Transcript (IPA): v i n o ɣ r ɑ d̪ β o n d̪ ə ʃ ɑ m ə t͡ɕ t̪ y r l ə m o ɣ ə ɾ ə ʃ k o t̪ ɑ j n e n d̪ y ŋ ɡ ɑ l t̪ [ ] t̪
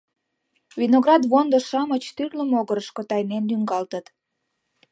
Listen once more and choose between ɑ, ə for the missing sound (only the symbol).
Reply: ə